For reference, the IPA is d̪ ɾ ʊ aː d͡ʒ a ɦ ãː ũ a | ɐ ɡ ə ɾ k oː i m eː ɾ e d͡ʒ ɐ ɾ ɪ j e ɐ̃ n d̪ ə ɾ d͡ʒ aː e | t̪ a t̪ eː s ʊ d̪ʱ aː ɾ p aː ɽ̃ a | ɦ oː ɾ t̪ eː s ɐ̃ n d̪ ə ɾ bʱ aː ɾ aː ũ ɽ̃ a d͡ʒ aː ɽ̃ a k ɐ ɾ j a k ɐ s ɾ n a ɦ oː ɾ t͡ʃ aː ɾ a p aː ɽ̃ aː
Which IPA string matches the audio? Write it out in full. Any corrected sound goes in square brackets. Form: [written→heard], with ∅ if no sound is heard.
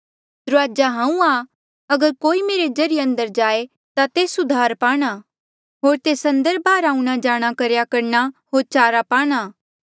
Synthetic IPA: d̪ ɾ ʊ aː d͡ʒ a ɦ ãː ũ a | ɐ ɡ ə ɾ k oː i m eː ɾ e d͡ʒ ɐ ɾ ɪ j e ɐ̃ n d̪ ə ɾ d͡ʒ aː e | t̪ a t̪ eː s ʊ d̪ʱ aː ɾ p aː ɽ̃ a | ɦ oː ɾ t̪ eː s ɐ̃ n d̪ ə ɾ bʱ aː ɾ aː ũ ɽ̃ a d͡ʒ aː ɽ̃ a k ɐ ɾ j a k ɐ [s→∅] ɾ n a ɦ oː ɾ t͡ʃ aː ɾ a p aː ɽ̃ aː